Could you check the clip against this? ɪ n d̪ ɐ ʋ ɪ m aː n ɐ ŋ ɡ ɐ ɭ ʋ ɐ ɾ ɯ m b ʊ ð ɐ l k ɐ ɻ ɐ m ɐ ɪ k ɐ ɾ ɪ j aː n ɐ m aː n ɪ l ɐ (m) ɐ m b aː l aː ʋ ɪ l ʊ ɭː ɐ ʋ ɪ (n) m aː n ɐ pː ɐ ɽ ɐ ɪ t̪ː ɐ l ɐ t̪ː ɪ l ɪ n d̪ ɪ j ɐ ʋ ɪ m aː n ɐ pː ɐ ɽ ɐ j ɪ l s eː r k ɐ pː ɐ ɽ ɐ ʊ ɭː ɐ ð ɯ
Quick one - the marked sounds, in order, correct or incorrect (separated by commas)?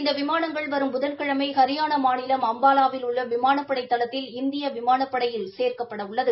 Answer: correct, incorrect